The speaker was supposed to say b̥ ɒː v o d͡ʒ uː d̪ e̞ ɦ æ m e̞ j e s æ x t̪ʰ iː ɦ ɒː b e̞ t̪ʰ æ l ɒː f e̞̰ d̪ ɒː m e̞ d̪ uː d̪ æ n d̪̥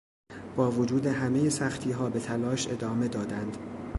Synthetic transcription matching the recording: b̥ ɒː v o d͡ʒ uː d̪ e̞ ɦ æ m e̞ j e s æ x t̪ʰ iː ɦ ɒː b e̞ t̪ʰ æ l ɒː ʃ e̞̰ d̪ ɒː m e̞ d̪ ɒː d̪ æ n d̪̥

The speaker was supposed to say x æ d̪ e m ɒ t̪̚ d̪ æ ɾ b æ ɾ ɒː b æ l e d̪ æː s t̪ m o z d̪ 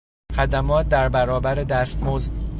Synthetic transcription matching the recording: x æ d̪ æ m ɒː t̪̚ d̪ æ ɾ b æ ɾ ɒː b æ ɾ e d̪ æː s t̪ m o z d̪

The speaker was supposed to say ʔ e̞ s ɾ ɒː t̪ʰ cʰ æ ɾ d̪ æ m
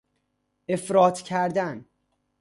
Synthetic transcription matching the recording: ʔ e̞ f ɾ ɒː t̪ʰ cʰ æ ɾ d̪ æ n

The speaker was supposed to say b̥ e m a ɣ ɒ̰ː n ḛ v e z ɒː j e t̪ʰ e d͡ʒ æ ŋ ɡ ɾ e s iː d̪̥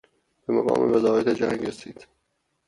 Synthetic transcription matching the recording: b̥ e m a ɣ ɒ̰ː m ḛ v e z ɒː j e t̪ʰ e d͡ʒ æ ŋ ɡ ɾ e s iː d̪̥

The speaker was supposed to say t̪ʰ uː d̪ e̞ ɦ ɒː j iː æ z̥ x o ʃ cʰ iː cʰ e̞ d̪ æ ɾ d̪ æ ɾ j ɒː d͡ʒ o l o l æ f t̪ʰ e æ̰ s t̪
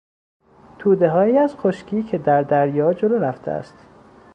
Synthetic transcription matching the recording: t̪ʰ uː d̪ e̞ ɦ ɒː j iː æ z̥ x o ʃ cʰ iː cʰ e̞ d̪ æ ɾ d̪ æ ɾ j ɒː d͡ʒ o l o ɾ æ f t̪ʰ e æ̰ s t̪

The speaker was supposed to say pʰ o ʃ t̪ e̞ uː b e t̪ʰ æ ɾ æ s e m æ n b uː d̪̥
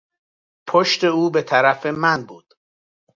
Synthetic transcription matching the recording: pʰ o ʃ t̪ e̞ uː b e t̪ʰ æ ɾ æ f e m æ n b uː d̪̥

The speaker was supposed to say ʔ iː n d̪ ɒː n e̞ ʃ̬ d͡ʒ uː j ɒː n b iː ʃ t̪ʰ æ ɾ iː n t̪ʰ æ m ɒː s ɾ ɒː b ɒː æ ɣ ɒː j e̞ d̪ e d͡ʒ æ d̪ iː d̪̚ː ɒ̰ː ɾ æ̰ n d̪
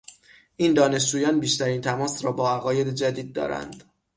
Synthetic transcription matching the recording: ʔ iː n d̪ ɒː n e̞ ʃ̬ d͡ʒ uː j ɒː n b iː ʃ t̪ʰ æ ɾ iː n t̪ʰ æ m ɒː s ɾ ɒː b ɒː æ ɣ ɒː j e̞ d̪ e d͡ʒ æ d̪ iː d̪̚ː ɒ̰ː ɾ æ̰ n d̪

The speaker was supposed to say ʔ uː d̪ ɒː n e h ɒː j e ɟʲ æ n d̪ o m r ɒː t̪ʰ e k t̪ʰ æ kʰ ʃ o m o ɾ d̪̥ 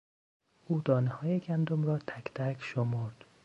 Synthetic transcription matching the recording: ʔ uː d̪ ɒː n e h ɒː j e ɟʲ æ n d̪ o m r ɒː t̪ʰ æ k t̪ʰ æ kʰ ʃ o m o ɾ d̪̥

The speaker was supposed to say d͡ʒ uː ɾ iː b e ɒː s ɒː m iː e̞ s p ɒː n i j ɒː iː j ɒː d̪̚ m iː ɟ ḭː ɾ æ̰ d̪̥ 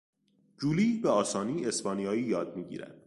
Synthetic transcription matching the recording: d͡ʒ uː l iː b e ɒː s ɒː n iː e̞ s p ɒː n i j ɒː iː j ɒː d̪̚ m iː ɟ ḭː ɾ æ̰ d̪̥

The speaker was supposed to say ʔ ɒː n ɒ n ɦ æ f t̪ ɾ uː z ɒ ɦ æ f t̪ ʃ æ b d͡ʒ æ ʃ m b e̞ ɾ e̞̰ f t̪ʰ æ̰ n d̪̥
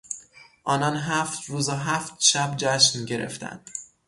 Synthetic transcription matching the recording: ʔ ɒː n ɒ n ɦ æ f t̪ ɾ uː z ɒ ɦ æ f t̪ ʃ æ b d͡ʒ æ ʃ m ɟ e̞ ɾ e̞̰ f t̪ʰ æ̰ n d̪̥

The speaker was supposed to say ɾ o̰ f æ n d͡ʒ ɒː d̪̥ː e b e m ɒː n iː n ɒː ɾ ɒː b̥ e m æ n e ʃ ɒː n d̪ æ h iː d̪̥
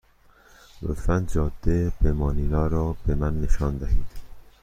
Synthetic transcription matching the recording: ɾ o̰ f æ n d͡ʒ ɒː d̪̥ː e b e m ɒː n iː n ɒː ɾ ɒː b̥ e m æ nː e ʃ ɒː n d̪ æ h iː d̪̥

